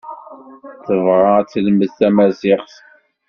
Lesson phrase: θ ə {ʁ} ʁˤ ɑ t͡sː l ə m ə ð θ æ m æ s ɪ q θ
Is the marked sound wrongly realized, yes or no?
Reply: yes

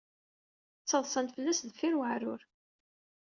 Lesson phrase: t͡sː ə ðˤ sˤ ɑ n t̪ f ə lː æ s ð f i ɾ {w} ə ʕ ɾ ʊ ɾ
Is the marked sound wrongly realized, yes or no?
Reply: no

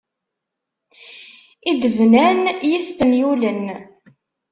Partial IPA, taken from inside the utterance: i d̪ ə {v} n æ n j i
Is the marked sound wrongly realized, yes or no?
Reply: no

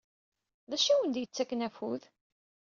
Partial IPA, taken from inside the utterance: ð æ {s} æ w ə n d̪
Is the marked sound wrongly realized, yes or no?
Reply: yes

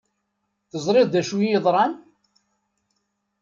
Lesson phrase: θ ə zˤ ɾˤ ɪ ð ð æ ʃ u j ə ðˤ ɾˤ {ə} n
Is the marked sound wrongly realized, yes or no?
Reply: yes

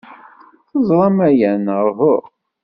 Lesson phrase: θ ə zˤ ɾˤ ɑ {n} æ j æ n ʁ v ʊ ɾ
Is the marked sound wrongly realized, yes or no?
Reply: yes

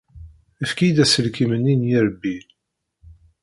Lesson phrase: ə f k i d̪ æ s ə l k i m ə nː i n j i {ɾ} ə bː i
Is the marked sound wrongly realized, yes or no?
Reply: no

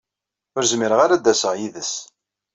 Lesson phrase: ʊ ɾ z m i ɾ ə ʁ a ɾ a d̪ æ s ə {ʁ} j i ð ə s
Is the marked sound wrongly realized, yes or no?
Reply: no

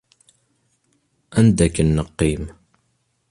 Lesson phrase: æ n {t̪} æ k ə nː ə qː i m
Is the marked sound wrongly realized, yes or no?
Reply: yes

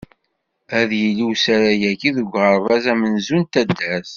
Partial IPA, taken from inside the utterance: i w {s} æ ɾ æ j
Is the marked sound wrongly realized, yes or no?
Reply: no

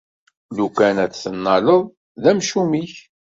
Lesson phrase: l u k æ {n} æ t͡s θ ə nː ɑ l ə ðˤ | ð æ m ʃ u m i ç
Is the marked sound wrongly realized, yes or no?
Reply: no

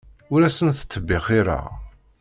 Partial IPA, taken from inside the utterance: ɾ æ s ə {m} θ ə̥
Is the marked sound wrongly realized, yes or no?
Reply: yes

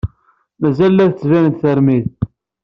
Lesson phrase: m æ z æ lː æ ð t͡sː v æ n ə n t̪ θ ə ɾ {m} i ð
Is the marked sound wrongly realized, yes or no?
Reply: no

